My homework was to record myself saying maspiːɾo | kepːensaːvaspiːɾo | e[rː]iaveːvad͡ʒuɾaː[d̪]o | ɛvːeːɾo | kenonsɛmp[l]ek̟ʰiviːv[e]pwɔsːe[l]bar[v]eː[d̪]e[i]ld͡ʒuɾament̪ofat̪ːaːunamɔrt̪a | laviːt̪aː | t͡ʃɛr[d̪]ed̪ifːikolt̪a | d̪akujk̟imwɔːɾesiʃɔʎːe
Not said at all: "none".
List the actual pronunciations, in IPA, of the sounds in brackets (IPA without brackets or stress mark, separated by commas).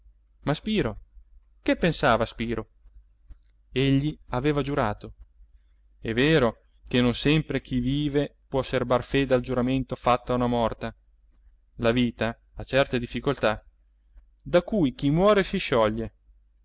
ʎː, t̪, ɾ, e, r, f, d̪, a, t̪